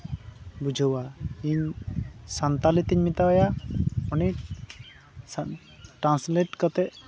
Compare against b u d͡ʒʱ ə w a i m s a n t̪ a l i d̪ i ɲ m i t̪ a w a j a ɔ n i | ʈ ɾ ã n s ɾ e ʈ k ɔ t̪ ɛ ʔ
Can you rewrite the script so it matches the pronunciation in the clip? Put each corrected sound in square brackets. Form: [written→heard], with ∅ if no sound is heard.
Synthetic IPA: b u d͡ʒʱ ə w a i [m→ɲ] s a n t̪ a l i [d̪→t̪] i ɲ m i t̪ a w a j a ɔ n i | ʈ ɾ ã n s [ɾ→l] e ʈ k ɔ t̪ ɛ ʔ